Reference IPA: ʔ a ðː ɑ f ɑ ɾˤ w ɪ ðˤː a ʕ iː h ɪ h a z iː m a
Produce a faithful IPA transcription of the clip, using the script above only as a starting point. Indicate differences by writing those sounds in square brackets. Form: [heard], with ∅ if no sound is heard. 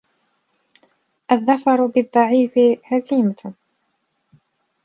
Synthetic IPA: ʔ a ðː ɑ f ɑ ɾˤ [b] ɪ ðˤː [ɑ] ʕ iː [f] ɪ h a z iː m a